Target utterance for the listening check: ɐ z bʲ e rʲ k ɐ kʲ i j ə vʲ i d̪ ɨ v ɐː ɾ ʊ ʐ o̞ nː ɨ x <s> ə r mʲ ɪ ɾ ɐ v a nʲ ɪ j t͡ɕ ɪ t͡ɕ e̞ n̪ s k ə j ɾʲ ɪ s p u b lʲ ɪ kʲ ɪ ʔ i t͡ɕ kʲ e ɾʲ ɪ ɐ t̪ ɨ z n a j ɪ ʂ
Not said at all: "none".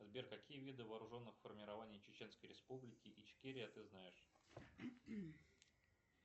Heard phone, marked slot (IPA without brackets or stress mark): f